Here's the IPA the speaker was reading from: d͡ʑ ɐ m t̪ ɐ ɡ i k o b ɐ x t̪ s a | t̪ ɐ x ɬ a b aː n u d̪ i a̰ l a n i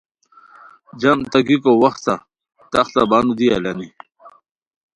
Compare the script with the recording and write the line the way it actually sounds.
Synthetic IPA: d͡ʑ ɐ m t̪ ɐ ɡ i k o w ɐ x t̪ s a | t̪ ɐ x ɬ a b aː n u d̪ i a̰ l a n i

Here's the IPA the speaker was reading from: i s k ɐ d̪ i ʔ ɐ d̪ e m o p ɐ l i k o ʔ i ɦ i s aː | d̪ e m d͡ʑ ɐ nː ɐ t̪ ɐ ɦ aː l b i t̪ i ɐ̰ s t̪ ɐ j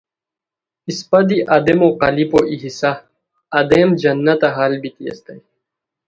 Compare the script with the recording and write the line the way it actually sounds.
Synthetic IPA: i s p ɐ d̪ i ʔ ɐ d̪ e m o q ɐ l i p o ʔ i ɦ i s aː | d̪ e m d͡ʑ ɐ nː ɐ t̪ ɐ ɦ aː l b i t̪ i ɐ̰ s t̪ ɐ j

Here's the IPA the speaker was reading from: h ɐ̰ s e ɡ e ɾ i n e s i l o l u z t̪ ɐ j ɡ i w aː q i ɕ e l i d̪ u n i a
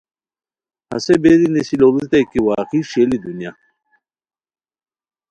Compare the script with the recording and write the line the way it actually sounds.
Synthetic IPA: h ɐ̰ s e b e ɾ i n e s i l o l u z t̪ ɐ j k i w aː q i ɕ e l i d̪ u n j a

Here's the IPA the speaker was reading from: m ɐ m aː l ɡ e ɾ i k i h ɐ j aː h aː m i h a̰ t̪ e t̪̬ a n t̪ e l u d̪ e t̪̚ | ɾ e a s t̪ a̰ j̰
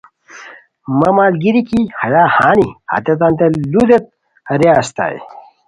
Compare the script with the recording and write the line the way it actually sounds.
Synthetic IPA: m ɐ m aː l ɡ i ɾ i k i h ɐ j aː h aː n i h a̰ t̪ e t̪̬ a n t̪ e l u d̪ e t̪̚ | ɾ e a s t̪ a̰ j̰

